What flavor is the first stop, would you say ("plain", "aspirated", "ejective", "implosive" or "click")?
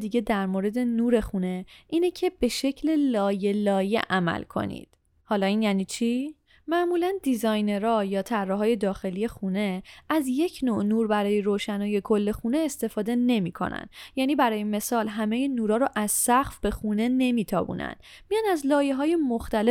plain